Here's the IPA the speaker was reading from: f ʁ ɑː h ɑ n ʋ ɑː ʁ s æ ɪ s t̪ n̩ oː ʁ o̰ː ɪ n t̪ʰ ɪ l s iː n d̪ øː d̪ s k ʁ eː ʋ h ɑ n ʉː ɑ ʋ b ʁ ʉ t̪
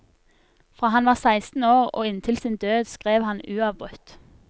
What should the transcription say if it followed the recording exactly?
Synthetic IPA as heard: f ʁ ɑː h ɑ n ʋ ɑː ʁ s æ ɪ s t̪ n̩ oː ʁ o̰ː ɪ n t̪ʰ ɪ l s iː n d̪ øː d̪ s k ʁ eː ʋ h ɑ n ʉː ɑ ʋ b ʁ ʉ t̪